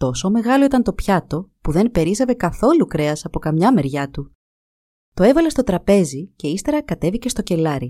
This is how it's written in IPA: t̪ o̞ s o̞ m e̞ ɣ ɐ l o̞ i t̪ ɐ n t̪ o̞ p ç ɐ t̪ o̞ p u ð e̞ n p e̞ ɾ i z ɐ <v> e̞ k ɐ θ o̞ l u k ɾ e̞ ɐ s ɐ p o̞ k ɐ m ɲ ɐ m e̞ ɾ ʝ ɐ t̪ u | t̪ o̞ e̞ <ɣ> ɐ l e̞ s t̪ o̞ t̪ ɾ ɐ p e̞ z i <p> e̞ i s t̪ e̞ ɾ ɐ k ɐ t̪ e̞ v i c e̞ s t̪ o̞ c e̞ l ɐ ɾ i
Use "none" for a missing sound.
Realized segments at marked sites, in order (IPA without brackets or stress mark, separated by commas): v, v, c